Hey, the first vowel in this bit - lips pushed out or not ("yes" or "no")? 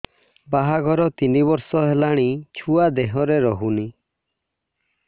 no